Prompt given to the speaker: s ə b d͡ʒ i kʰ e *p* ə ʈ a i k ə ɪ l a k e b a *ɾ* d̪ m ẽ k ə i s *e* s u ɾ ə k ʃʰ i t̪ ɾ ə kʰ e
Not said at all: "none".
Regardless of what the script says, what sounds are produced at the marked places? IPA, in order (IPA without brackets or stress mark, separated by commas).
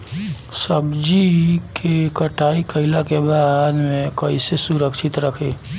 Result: k, none, e